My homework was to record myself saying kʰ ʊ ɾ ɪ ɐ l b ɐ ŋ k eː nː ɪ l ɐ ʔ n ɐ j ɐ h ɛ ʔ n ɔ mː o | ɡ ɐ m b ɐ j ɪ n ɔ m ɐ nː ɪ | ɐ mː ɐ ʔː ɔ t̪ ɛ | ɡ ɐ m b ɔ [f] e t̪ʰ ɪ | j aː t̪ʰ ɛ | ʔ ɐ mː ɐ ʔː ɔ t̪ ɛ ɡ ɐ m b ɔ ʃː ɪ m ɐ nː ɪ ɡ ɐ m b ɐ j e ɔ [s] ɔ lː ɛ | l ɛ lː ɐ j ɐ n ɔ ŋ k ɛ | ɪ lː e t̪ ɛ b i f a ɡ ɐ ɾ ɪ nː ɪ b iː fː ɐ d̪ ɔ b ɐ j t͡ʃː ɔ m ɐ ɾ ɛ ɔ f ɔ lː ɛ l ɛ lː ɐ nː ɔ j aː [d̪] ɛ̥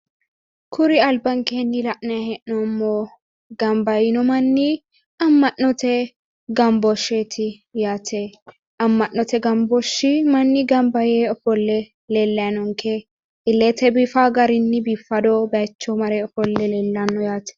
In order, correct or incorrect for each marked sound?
incorrect: ʃ, incorrect: f, incorrect: t̪

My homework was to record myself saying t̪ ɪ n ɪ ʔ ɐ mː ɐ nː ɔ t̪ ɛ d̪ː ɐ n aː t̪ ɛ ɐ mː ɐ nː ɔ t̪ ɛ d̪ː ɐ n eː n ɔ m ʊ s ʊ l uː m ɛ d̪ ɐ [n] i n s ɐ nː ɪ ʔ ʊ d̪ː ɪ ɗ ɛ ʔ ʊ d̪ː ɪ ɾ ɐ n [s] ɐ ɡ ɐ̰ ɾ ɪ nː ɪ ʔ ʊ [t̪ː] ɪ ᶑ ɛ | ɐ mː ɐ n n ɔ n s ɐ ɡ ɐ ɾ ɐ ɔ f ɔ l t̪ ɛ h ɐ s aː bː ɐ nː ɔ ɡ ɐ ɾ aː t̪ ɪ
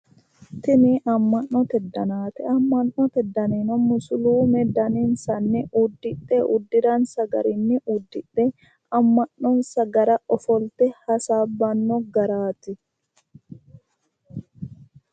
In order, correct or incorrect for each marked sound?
correct, correct, incorrect: d̪ː

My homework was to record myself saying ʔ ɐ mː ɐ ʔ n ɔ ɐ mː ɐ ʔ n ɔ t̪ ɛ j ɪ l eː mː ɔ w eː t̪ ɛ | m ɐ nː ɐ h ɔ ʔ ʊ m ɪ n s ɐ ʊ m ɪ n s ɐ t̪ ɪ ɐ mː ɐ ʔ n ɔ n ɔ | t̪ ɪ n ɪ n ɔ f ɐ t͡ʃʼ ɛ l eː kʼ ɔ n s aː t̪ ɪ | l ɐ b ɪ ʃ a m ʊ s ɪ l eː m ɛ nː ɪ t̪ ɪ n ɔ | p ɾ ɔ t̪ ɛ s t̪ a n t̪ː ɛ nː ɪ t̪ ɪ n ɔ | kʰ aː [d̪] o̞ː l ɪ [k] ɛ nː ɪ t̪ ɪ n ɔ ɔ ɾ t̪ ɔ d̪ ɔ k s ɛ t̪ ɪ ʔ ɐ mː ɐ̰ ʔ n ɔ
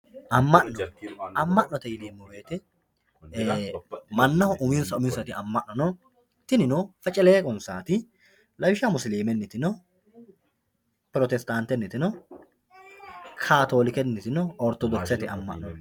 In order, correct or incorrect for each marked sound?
incorrect: t̪, correct

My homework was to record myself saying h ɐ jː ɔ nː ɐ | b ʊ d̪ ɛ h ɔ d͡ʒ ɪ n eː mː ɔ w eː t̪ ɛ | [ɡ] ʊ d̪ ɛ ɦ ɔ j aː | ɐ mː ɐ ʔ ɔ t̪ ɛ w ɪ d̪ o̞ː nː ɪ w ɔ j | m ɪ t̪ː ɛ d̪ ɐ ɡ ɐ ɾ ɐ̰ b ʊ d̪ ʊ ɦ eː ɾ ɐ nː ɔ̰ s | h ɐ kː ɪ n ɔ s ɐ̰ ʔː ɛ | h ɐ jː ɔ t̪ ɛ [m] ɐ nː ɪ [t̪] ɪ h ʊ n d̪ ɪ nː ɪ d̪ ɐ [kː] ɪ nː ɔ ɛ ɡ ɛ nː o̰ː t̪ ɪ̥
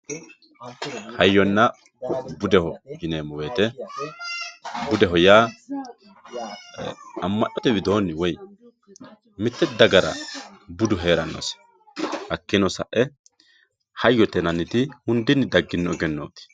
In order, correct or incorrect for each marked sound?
incorrect: b, incorrect: n, correct, incorrect: ɡː

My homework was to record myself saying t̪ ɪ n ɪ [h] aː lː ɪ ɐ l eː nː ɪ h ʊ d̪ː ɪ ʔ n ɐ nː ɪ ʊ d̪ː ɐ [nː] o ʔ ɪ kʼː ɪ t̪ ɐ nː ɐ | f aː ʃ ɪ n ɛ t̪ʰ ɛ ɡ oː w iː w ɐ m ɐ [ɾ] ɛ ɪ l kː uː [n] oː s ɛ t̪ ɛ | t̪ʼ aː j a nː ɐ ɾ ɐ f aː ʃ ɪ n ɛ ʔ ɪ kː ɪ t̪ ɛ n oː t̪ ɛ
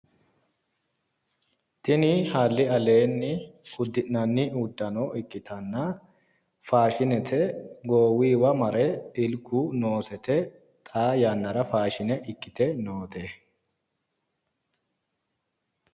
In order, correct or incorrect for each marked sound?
correct, incorrect: n, correct, correct

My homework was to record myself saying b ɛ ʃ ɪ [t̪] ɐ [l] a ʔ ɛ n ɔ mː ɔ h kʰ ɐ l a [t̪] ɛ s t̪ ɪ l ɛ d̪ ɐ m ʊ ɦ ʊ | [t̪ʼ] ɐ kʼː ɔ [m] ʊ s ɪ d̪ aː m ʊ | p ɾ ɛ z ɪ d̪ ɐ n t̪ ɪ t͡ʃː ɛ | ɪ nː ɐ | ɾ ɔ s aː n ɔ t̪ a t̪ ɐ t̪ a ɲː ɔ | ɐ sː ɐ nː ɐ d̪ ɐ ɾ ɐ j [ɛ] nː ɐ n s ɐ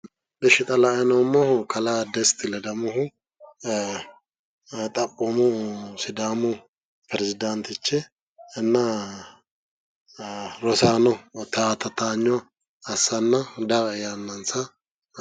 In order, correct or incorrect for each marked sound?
incorrect: t̪ʼ, correct, incorrect: d̪, correct, correct, incorrect: a

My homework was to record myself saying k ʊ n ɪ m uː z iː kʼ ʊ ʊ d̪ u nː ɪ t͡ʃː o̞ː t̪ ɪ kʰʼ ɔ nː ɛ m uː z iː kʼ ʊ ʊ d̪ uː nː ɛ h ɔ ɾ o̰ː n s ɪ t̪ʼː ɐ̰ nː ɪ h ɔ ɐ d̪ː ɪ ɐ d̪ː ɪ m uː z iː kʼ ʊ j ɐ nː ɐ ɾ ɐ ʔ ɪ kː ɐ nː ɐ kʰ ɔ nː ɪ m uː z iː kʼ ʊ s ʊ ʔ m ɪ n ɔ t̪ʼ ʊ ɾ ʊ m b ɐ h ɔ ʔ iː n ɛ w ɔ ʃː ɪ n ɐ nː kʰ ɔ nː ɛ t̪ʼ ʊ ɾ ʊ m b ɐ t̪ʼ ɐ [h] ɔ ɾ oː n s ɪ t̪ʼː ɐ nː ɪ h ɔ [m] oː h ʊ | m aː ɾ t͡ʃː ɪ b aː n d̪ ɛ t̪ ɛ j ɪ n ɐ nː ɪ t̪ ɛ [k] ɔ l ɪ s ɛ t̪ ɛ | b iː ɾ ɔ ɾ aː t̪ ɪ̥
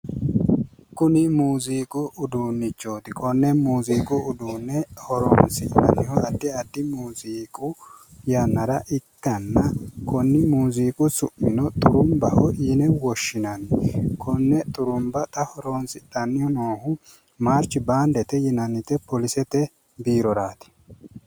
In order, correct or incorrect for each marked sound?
correct, incorrect: n, incorrect: p

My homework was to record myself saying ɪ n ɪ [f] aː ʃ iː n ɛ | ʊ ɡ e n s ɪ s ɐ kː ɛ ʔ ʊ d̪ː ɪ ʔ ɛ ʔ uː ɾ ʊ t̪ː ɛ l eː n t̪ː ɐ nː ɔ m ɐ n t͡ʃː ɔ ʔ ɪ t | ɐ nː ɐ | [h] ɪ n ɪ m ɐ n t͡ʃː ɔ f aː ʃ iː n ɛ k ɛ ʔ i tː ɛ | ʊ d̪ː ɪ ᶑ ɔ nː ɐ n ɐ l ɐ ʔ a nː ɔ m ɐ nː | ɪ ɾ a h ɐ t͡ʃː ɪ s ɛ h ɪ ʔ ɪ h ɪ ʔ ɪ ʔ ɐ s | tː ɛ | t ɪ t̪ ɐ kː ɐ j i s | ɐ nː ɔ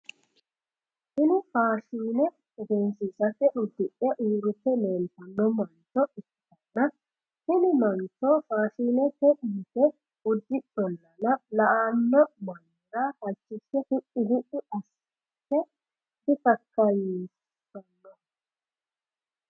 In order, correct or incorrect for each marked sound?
correct, correct

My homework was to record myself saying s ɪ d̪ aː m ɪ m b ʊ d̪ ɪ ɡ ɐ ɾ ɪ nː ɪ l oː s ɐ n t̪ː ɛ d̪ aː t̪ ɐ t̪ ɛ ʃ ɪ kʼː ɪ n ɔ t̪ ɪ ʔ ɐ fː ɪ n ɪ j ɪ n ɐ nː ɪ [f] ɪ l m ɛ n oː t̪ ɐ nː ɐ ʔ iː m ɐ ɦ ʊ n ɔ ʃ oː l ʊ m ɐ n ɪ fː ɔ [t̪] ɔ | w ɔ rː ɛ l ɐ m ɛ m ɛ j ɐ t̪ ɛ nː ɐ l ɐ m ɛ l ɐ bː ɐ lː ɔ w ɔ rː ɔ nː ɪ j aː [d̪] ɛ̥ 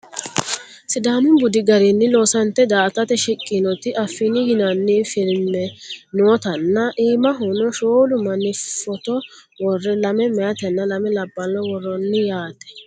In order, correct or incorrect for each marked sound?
correct, correct, incorrect: t̪

